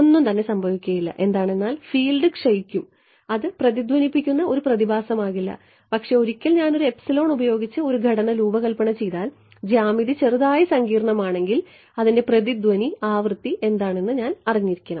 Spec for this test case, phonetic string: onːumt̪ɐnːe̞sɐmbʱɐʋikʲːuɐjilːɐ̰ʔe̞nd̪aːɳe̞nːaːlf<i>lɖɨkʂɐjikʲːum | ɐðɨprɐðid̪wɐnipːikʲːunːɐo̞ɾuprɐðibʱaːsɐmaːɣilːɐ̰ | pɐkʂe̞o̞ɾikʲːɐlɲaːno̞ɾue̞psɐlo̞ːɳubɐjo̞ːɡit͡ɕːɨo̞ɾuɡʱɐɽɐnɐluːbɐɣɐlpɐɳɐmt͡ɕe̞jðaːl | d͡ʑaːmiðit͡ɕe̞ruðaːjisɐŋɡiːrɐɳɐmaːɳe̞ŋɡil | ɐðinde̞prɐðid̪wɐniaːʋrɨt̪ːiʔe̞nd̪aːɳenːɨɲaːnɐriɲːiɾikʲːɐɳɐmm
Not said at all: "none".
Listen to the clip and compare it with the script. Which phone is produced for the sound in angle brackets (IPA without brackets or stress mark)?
iː